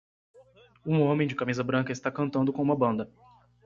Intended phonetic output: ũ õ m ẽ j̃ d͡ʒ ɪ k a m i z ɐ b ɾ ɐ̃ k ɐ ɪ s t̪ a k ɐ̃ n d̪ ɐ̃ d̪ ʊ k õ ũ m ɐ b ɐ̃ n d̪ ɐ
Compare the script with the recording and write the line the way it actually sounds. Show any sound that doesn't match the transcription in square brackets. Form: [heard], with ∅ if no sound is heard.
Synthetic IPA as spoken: ũ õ m ẽ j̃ d͡ʒ ɪ k a m i z ɐ b ɾ ɐ̃ k ɐ ɪ s t̪ a k ɐ̃ n [t̪] ɐ̃ d̪ ʊ k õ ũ m ɐ b ɐ̃ n d̪ ɐ

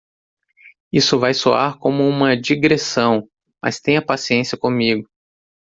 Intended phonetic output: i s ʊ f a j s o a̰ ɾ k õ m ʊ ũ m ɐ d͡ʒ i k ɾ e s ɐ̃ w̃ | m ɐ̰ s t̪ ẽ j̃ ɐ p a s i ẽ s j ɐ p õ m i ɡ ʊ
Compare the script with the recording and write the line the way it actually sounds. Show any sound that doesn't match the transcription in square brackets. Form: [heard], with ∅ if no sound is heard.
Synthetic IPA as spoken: i s ʊ [v] a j s o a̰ ɾ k õ m ʊ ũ m ɐ d͡ʒ i [ɡ] ɾ e s ɐ̃ w̃ | m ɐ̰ s t̪ ẽ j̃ ɐ p a s i ẽ s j ɐ [k] õ m i ɡ ʊ

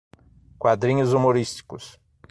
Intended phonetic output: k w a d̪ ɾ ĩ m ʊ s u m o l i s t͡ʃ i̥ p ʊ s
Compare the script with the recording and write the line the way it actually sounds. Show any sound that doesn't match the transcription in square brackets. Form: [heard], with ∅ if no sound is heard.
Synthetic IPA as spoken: k w a d̪ ɾ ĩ [ɲ] ʊ [z] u m o [ɾ] i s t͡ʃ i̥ [k] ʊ s

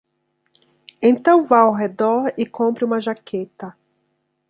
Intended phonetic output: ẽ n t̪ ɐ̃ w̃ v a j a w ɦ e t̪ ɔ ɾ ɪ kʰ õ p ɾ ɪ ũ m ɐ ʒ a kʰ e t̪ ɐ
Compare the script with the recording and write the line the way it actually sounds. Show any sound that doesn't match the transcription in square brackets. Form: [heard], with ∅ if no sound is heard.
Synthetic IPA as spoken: ẽ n t̪ ɐ̃ w̃ v a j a w ɦ e [d̪] ɔ ɾ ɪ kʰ õ p ɾ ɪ ũ m ɐ ʒ a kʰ e t̪ ɐ

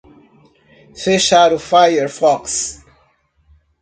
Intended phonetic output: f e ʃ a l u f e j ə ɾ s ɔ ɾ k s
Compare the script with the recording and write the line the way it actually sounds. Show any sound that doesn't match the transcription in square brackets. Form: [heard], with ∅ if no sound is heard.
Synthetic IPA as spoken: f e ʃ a [ɾ] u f [a] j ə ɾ [f] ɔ [∅] k s

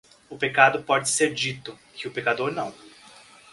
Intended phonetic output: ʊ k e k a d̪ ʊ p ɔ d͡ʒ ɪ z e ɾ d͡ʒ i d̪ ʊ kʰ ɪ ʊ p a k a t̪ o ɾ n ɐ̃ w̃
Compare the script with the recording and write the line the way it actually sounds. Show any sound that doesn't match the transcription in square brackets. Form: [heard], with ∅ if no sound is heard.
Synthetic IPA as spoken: ʊ [p] e k a d̪ ʊ p ɔ d͡ʒ ɪ [s] e ɾ d͡ʒ i [t̪] ʊ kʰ ɪ ʊ p [e] k a [d̪] o ɾ n ɐ̃ w̃

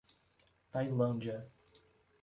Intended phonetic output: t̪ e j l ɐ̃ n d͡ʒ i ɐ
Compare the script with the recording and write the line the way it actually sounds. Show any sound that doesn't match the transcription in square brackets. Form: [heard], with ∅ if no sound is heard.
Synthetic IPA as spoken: t̪ [a] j l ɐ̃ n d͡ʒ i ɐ

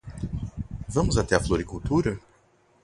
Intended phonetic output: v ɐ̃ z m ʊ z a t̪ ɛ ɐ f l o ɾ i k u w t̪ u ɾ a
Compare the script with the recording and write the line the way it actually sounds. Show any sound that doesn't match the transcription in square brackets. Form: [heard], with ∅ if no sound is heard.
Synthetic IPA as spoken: v ɐ̃ [∅] m ʊ z a t̪ ɛ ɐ f l o ɾ i k u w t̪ u ɾ [ɐ]

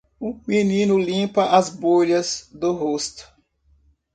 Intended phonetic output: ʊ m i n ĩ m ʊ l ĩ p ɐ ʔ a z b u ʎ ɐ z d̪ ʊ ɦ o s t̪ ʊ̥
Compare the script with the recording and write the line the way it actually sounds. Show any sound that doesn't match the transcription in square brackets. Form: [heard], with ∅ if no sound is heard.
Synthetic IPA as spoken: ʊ m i n ĩ [n] ʊ l ĩ p ɐ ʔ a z b [o] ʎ ɐ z d̪ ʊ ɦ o s t̪ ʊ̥

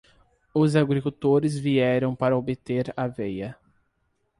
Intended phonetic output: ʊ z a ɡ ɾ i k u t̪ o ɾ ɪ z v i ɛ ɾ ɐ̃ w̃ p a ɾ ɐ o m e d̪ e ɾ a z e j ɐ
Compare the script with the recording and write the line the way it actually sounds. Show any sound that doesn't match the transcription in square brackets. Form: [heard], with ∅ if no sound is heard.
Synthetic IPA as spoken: ʊ z a ɡ ɾ i k u t̪ o ɾ ɪ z v i ɛ ɾ ɐ̃ w̃ p a ɾ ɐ o [b] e [t̪] e ɾ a [v] e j ɐ

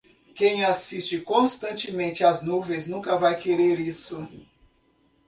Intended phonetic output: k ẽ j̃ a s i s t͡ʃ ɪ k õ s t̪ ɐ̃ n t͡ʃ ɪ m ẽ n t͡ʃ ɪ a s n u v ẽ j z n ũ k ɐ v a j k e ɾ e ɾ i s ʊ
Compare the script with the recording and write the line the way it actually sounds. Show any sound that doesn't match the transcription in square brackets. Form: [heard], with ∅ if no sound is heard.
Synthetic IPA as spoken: k ẽ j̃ a s i s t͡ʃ ɪ k õ s t̪ ɐ̃ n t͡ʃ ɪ m ẽ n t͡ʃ ɪ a [z] n u v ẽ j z n ũ k ɐ v a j k e ɾ e ɾ i s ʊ

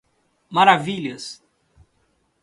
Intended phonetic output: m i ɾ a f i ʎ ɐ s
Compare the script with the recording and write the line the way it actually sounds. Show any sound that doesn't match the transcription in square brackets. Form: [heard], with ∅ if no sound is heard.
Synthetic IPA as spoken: m [a] ɾ a [v] i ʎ ɐ s

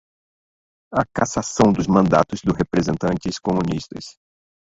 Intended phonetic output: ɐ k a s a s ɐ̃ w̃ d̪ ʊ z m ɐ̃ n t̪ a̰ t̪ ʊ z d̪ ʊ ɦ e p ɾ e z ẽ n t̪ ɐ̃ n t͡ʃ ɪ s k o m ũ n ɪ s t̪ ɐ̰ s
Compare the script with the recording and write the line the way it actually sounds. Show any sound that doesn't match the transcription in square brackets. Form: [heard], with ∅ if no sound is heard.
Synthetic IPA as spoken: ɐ k a s a s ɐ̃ w̃ d̪ ʊ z m ɐ̃ n [d̪] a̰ t̪ ʊ z d̪ ʊ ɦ e p ɾ e z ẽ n t̪ ɐ̃ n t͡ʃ ɪ s k o m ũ n [i] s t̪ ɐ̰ s

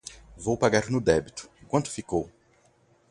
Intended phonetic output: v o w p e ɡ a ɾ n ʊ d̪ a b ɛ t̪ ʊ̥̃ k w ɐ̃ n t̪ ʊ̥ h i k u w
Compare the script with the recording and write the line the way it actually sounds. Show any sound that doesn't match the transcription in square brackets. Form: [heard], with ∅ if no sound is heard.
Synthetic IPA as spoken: v o w p [a] ɡ a ɾ n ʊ d̪ [ɛ] b [i] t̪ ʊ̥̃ k w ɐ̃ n t̪ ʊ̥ [f] i k [o] w

